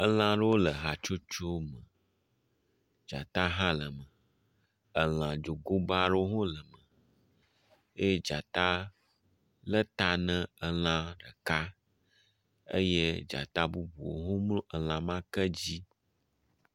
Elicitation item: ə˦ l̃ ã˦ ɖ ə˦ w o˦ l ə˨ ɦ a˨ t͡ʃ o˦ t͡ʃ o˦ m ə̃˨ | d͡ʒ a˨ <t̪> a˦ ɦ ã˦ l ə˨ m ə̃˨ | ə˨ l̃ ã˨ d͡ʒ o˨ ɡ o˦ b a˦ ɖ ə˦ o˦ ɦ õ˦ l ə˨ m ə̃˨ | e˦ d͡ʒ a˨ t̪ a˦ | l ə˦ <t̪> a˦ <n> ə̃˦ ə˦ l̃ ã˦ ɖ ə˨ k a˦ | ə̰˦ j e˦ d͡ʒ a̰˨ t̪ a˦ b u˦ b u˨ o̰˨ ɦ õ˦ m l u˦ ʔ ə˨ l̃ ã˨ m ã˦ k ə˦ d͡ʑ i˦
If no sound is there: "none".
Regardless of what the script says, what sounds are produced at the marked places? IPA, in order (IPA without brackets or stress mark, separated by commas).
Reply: t̪, t̪, n